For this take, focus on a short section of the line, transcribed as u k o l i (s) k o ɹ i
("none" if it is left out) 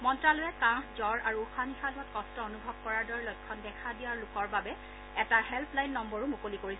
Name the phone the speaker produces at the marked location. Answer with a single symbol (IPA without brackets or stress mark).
none